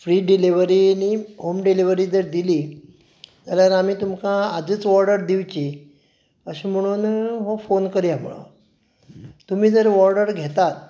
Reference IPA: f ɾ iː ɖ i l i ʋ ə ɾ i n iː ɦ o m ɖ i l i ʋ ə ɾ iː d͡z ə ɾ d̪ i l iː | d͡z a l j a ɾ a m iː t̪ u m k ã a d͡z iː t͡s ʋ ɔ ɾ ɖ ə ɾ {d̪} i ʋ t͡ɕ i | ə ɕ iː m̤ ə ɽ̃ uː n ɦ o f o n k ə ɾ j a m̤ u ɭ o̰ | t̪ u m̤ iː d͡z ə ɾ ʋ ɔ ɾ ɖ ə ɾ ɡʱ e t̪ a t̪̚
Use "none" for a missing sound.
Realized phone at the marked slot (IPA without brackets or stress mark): d̪